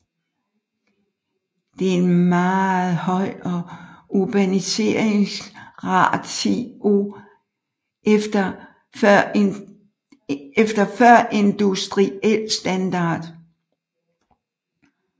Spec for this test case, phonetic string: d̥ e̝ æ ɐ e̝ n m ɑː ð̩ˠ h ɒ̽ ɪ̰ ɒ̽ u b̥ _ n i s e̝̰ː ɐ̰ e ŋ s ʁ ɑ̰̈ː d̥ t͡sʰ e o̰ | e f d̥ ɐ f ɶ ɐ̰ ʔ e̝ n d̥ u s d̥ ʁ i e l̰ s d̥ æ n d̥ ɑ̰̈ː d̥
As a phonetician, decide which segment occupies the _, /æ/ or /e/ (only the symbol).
æ